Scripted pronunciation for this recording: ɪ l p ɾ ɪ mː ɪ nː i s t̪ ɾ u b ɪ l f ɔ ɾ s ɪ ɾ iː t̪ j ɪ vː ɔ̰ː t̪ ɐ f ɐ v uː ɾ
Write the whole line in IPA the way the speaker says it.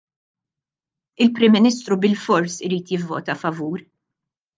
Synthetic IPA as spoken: ɪ l p ɾ ɪ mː ɪ n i s t̪ ɾ u b ɪ l f ɔ ɾ s ɪ ɾ iː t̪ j ɪ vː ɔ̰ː t̪ ɐ f ɐ v uː ɾ